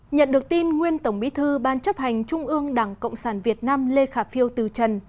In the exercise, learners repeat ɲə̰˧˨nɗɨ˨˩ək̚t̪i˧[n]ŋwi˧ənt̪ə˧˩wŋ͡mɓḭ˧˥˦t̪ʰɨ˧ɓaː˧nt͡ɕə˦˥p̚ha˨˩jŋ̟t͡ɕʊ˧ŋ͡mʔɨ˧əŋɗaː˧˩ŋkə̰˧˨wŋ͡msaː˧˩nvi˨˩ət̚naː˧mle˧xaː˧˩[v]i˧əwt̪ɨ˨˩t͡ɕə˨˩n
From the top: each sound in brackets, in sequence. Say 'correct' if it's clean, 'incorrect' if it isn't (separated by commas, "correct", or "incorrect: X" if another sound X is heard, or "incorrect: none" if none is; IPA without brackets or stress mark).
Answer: correct, incorrect: f